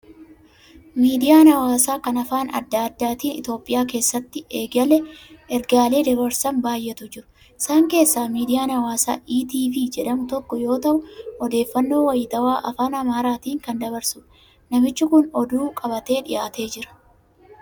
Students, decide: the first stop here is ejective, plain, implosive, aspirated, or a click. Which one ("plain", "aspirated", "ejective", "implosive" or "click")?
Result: plain